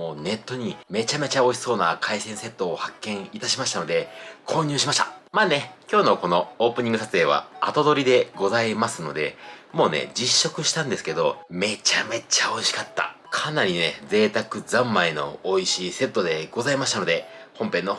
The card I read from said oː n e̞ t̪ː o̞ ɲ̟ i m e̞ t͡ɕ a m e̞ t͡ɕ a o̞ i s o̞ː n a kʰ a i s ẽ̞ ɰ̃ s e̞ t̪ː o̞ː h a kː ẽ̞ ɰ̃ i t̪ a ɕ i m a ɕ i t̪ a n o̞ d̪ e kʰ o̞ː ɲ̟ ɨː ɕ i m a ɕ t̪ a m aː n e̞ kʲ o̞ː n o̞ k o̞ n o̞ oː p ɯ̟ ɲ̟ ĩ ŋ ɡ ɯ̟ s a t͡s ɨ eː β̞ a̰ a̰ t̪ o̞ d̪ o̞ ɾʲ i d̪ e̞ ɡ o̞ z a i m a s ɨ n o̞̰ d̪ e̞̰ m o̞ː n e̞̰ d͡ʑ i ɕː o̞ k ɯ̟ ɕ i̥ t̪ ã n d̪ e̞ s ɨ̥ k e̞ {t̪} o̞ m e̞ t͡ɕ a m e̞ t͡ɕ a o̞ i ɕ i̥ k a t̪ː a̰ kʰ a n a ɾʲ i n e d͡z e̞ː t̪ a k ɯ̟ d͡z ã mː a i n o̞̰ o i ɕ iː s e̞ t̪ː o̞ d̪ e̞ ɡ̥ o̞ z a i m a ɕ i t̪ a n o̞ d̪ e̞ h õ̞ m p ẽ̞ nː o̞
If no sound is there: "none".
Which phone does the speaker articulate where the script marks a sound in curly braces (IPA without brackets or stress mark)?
d̪